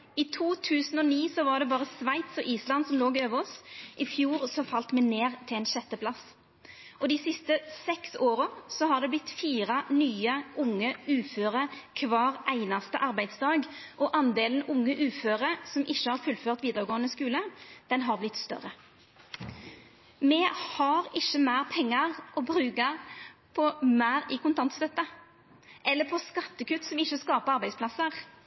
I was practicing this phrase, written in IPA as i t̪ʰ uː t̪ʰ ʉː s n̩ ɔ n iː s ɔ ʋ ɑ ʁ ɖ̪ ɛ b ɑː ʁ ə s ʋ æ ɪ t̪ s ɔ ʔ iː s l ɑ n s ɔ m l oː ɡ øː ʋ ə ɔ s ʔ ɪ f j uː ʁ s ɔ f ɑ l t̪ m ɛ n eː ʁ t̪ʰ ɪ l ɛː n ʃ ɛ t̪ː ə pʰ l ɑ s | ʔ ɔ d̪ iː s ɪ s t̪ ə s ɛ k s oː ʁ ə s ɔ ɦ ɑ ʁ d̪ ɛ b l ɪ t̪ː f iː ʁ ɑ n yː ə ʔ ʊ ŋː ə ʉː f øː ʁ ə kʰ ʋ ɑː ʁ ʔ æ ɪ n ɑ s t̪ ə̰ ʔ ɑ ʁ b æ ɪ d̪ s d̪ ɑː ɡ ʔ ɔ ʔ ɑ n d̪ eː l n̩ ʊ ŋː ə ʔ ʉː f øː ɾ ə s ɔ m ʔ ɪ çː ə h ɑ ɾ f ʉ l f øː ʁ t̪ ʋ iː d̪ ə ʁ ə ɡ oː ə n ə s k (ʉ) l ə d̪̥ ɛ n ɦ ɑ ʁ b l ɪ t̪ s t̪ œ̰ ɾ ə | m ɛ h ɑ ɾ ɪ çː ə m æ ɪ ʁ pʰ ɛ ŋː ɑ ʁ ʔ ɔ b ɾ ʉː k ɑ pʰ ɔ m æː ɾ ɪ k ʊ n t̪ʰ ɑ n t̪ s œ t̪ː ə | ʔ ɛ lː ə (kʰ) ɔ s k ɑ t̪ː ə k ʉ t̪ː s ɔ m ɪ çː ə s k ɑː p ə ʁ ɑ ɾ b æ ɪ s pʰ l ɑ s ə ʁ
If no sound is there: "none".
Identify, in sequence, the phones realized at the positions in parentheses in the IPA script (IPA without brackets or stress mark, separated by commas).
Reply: ʉː, pʰ